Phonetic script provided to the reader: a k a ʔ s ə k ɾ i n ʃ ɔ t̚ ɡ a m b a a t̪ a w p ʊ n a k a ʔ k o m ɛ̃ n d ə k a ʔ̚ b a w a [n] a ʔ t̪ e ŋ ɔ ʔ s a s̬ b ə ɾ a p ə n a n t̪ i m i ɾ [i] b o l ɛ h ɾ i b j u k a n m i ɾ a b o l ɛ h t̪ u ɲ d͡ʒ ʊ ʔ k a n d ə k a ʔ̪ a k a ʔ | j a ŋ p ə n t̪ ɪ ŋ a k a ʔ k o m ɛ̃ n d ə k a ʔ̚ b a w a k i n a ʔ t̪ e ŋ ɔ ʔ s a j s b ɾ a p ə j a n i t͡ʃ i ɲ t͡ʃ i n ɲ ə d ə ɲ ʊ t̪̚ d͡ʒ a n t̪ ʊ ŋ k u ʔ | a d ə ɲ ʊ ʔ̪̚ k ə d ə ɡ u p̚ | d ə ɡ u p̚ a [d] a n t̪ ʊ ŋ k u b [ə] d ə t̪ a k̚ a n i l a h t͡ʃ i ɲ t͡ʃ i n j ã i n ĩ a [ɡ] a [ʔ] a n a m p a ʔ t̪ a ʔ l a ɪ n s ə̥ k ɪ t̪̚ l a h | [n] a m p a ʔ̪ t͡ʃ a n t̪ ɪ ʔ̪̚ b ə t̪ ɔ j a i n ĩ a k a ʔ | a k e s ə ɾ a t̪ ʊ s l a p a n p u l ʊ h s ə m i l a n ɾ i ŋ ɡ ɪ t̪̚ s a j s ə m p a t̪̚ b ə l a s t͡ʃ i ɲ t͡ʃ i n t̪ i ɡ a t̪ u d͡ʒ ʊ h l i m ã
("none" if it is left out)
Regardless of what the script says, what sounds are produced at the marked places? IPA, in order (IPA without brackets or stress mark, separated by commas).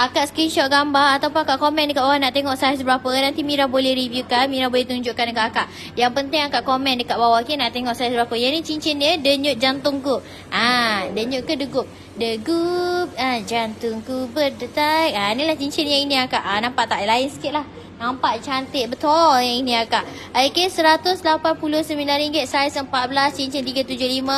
n, a, d͡ʒ, ə, k, ʔ, n